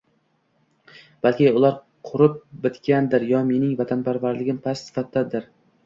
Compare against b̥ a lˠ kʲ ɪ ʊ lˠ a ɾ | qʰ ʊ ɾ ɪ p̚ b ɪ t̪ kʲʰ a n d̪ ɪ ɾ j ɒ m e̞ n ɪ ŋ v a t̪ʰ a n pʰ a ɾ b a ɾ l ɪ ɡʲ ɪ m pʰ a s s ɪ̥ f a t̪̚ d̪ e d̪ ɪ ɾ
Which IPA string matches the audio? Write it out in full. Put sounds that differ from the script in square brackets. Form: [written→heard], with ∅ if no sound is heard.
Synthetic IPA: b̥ a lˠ kʲ ɪ ʊ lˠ a ɾ | qʰ ʊ ɾ ɪ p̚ b ɪ t̪ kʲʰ a n d̪ ɪ ɾ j ɒ m e̞ n ɪ ŋ v a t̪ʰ a n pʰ a ɾ [b→v] a ɾ l ɪ ɡʲ ɪ m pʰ a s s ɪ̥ f a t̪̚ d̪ [e→a] d̪ ɪ ɾ